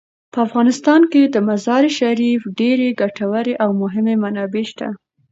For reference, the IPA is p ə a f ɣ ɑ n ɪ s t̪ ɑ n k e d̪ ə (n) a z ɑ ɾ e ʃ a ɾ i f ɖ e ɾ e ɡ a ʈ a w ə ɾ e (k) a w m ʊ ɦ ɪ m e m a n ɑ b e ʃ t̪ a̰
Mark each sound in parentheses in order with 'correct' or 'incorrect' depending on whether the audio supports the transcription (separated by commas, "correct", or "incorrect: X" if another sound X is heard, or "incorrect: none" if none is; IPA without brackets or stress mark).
incorrect: m, incorrect: ʔ